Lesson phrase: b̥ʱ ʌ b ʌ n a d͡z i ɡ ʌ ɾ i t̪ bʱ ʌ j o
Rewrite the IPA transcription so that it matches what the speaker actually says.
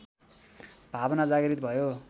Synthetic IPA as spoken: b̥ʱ a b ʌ n a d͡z a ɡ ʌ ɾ i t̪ bʱ ʌ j o